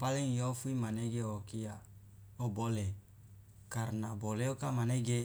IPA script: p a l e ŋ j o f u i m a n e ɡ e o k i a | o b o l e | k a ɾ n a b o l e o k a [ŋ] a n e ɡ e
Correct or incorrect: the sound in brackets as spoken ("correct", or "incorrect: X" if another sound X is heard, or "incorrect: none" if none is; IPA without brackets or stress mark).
incorrect: m